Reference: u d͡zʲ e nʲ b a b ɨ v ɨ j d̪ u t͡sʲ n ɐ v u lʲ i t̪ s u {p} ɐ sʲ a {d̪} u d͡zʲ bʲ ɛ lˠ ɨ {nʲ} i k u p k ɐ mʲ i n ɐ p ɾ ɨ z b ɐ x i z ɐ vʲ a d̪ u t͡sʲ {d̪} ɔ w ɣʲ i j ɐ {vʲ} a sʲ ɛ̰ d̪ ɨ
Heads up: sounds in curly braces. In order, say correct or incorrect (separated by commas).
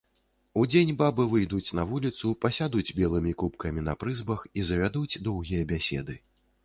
correct, correct, incorrect, correct, incorrect